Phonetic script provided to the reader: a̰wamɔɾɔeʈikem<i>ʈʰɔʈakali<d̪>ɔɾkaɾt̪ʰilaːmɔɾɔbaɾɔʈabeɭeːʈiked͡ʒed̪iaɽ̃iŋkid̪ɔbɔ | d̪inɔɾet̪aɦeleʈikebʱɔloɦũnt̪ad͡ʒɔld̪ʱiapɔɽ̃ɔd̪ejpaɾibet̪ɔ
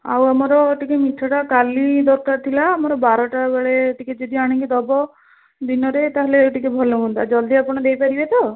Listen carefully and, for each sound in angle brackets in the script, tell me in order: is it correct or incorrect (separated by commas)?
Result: correct, correct